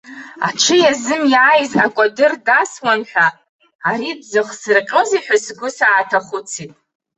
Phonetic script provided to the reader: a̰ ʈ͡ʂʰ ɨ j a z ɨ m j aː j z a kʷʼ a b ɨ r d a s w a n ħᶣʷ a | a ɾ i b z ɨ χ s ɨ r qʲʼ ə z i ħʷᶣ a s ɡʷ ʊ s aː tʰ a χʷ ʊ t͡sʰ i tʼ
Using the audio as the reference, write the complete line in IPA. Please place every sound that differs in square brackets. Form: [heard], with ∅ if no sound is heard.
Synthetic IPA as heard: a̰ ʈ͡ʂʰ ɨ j a z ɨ m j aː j z a kʷʼ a [d] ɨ r d a s w a n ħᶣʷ a | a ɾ i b z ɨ χ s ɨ r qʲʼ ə z i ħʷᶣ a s ɡʷ ʊ s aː tʰ a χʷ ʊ t͡sʰ i tʼ